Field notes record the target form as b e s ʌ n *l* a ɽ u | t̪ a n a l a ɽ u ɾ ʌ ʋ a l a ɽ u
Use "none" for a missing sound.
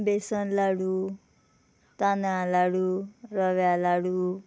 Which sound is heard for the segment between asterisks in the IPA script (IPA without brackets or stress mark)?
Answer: l